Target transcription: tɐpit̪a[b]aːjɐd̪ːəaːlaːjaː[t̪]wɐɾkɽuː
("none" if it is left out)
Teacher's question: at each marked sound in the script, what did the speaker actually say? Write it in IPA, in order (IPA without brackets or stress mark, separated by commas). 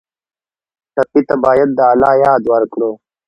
b, d̪